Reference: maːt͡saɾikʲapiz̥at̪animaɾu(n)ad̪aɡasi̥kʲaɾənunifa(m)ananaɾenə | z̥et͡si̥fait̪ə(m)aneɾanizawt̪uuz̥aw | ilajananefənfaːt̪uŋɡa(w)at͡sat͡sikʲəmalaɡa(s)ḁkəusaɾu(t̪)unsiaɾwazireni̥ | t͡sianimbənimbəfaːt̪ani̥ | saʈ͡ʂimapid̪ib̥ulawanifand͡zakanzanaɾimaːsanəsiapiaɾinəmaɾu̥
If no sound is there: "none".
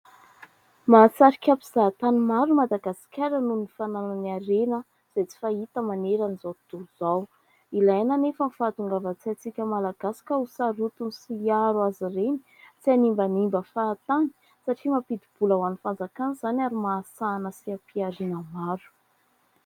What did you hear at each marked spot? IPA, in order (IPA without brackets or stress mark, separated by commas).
m, n, m, v, s, t̪